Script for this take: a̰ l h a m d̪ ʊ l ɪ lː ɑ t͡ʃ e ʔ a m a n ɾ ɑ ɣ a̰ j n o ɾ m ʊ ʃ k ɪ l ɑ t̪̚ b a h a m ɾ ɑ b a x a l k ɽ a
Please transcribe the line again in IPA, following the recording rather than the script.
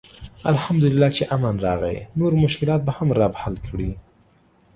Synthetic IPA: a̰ l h a m d̪ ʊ l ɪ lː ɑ t͡ʃ e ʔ a m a n ɾ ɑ ɣ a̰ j n o ɾ m ʊ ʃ k ɪ l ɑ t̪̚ b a h a m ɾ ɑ b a h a l k ɽ i